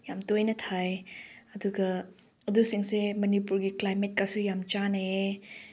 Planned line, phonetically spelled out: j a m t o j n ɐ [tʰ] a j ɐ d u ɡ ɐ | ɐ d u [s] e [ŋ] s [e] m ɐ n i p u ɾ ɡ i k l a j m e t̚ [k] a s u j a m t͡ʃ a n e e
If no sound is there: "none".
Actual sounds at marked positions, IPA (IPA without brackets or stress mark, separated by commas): tʰ, s, ŋ, e, k